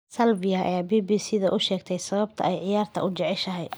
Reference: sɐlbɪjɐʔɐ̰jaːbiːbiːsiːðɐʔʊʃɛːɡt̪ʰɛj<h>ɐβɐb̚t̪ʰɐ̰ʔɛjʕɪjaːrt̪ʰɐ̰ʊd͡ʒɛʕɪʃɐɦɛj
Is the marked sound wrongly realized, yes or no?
yes